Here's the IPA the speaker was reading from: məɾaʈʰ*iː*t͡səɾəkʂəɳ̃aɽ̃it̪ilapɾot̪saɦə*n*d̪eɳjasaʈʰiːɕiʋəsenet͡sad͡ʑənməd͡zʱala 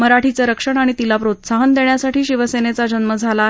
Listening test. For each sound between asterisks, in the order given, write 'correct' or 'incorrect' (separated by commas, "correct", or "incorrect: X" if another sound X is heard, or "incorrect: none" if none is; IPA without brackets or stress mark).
incorrect: i, correct